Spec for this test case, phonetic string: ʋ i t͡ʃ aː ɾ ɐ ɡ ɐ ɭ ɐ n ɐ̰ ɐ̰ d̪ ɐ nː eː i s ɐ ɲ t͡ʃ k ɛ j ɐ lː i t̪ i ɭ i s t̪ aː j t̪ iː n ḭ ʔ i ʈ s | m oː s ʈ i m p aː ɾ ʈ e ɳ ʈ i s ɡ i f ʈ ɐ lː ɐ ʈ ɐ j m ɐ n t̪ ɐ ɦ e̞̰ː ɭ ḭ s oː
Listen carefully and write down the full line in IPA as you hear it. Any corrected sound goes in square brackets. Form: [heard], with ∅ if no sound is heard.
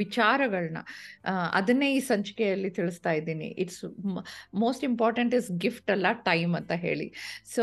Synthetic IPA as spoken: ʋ i t͡ʃ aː ɾ ɐ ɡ ɐ ɭ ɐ n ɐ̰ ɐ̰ d̪ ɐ nː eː [iː] s ɐ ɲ t͡ʃ k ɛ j ɐ lː i t̪ i ɭ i s t̪ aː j [d̪] iː n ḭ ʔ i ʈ s | m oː s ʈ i m p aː ɾ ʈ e ɳ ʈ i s ɡ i f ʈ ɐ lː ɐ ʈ ɐ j m ɐ n t̪ ɐ ɦ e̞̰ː ɭ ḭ s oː